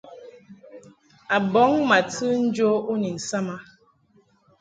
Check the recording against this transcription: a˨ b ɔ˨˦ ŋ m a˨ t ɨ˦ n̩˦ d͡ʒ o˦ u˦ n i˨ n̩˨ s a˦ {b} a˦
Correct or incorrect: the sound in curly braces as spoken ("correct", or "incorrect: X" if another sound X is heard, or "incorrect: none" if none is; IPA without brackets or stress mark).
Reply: incorrect: m